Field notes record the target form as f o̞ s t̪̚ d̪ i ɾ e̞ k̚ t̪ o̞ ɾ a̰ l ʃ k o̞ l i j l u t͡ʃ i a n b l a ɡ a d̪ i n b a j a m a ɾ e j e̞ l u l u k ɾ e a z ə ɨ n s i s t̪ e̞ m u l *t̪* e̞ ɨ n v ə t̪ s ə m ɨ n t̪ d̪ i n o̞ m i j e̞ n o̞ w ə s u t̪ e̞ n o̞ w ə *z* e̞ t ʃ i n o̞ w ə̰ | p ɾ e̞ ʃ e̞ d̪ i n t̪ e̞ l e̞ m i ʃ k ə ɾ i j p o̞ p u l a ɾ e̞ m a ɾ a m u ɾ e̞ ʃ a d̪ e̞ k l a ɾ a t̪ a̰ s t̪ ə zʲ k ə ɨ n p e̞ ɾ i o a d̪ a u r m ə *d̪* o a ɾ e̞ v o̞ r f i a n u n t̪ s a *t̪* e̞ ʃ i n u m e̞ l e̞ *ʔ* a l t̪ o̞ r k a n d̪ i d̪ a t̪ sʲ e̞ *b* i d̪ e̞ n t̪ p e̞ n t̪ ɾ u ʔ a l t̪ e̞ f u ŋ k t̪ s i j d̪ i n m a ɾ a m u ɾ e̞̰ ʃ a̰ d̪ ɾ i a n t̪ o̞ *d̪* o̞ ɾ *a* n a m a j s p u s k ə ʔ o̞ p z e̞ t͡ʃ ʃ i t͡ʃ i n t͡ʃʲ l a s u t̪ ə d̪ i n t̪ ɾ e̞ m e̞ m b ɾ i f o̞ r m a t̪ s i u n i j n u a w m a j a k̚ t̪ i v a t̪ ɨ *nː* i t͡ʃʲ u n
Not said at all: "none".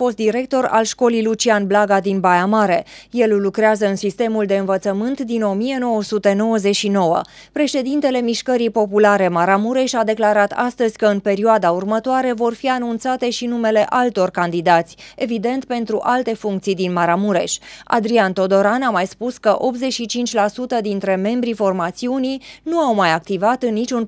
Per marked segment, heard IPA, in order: d̪, z, t̪, t̪, ʔ, v, d̪, a, nː

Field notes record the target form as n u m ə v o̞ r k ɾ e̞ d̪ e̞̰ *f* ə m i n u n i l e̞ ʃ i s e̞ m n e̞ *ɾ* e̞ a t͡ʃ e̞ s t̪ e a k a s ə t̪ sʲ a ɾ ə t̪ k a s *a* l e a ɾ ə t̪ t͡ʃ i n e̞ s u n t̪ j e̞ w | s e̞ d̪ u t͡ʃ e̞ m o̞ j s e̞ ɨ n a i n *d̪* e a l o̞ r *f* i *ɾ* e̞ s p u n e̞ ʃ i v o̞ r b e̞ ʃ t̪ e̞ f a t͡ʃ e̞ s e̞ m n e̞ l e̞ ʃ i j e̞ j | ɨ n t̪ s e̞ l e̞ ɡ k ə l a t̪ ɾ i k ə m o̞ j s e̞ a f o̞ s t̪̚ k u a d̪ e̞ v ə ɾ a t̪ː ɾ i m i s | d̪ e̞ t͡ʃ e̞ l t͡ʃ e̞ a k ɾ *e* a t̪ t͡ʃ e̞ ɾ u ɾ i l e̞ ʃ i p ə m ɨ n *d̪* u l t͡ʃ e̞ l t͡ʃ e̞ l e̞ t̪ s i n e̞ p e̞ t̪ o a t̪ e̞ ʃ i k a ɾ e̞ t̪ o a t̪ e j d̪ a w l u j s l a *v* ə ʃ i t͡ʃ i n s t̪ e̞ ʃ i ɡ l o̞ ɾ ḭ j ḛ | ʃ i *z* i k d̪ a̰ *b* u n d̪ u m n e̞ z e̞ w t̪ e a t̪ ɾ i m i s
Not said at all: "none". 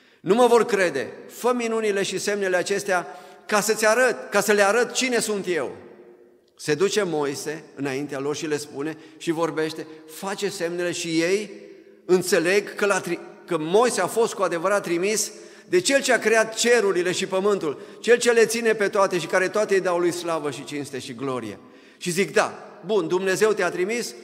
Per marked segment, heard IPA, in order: f, l, ə, t̪, ʃ, l, e, t̪, v, z, b

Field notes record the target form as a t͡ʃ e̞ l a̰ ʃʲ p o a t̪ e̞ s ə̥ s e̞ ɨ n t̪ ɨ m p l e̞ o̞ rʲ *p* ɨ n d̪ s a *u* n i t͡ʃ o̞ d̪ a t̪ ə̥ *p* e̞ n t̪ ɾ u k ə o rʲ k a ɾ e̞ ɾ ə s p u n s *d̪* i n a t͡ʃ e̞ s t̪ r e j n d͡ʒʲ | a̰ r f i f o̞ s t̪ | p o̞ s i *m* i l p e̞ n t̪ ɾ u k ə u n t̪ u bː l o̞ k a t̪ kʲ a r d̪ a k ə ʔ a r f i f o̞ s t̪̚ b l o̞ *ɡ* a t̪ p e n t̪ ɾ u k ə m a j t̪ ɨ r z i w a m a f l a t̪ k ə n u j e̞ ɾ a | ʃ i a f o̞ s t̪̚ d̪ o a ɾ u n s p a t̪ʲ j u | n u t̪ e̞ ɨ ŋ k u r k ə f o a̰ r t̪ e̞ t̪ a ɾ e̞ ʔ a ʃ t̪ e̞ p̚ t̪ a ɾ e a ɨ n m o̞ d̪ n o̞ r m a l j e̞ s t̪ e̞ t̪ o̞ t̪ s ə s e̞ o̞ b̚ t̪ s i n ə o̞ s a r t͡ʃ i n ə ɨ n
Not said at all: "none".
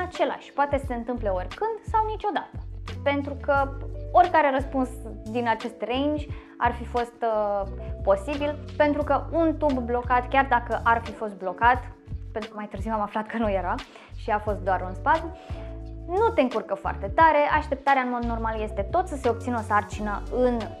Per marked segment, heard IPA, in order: k, w, p, d̪, b, k

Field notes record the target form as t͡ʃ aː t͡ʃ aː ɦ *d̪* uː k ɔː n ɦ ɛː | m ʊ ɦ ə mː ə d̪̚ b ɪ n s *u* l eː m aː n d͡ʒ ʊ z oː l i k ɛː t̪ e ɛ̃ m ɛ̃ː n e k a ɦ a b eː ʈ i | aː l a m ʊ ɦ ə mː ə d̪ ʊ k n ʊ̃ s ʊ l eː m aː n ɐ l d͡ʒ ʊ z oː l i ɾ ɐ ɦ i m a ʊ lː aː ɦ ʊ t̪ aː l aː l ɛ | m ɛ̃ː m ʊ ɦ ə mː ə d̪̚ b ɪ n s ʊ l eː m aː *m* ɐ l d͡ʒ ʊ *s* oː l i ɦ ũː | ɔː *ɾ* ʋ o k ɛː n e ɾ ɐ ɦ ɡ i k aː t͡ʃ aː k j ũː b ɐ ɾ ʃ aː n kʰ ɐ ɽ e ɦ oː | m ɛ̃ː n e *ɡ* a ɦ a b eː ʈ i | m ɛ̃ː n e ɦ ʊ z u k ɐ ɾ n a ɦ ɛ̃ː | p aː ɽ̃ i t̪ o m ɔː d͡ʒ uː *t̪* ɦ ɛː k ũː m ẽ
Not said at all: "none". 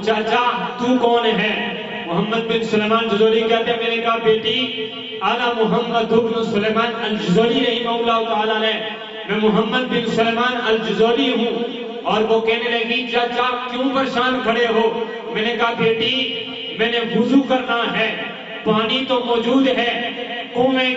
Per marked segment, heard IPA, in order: t̪, ʊ, n, z, ɾ, k, d̪

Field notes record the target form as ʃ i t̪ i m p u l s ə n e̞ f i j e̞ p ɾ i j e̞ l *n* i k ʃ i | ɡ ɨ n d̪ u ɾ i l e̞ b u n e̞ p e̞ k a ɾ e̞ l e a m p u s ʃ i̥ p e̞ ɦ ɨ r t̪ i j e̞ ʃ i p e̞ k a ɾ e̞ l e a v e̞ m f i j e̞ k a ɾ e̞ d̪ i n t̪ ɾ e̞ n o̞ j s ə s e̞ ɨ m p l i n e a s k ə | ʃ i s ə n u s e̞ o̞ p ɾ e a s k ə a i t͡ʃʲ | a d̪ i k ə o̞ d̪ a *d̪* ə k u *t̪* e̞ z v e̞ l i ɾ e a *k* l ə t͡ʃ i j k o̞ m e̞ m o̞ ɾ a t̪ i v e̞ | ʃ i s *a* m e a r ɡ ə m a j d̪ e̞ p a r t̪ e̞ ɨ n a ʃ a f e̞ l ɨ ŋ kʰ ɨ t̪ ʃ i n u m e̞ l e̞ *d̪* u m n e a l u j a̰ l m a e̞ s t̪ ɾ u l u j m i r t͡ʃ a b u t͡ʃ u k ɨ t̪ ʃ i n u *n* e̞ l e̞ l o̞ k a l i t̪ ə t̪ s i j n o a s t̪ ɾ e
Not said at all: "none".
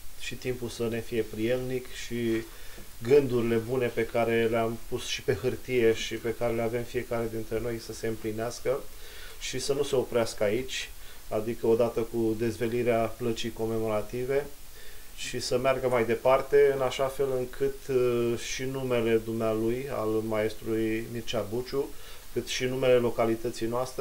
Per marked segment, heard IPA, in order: n, t̪, d̪, p, ə, d̪, m

